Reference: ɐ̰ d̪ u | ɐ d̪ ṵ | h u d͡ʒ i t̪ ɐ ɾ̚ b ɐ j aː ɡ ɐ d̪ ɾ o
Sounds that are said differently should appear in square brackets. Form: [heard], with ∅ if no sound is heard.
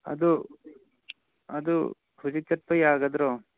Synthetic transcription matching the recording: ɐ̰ d̪ u | ɐ d̪ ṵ | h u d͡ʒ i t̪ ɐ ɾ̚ [p] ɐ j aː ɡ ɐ d̪ ɾ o